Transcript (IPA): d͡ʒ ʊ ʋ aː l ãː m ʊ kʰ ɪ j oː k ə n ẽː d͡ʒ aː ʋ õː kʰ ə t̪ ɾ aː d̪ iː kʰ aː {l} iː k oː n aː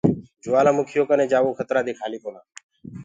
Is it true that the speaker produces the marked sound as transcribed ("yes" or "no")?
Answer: yes